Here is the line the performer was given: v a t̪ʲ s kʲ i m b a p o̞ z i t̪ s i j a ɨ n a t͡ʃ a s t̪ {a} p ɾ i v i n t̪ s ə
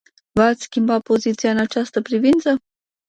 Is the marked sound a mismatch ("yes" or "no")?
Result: yes